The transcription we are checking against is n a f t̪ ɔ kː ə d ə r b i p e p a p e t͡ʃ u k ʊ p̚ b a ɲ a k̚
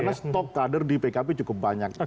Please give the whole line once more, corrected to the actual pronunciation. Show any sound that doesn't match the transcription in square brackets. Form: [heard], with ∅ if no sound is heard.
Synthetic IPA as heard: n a [s] t̪ ɔ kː [a] d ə r [d] i p e [k] a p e t͡ʃ u k ʊ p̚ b a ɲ a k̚